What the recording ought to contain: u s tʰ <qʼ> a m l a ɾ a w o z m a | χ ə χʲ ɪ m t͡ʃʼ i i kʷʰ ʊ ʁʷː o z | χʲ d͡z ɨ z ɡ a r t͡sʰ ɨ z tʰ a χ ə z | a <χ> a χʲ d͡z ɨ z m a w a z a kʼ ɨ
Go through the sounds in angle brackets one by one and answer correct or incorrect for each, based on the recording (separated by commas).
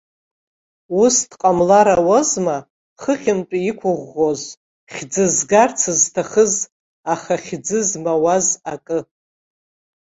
correct, correct